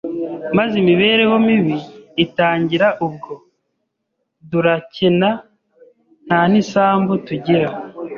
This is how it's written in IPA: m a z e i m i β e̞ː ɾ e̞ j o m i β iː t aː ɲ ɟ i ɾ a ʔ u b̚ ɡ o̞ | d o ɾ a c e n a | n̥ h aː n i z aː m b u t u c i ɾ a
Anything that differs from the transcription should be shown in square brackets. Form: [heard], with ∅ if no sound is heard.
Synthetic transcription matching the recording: m a z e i m i β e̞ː ɾ e̞ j o m i β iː t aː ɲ ɟ i ɾ a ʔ u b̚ ɡ o̞ | d [u] ɾ a c e n a | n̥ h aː n i [s] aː m b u t u [ɟ] i ɾ a